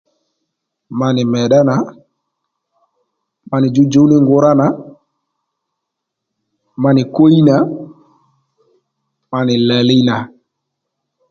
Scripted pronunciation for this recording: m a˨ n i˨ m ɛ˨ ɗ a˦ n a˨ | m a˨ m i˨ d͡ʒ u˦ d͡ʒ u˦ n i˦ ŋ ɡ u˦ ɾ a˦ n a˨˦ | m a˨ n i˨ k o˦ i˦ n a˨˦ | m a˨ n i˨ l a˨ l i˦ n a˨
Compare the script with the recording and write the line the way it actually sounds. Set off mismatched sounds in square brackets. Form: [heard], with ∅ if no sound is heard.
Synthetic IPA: m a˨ n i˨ m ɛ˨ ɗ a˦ n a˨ | m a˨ [n] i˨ d͡ʒ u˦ d͡ʒ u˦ n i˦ ŋ ɡ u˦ ɾ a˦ n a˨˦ | m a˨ n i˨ k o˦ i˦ n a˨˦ | m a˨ n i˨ l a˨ l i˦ n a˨